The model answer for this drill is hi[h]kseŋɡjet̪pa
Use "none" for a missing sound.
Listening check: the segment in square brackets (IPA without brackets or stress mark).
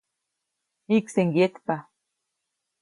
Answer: none